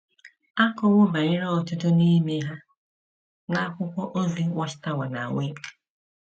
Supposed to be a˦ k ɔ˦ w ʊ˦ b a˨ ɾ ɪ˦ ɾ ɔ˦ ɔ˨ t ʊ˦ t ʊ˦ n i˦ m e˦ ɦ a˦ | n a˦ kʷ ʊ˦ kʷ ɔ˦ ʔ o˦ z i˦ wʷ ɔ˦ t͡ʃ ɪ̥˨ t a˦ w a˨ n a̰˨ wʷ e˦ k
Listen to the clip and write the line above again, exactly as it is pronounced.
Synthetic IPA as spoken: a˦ k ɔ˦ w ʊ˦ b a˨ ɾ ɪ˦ ɾ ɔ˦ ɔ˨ t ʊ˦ t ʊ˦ n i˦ m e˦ ɦ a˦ | n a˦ kʷ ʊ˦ kʷ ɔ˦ ʔ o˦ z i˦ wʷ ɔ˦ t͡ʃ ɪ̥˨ t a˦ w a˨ n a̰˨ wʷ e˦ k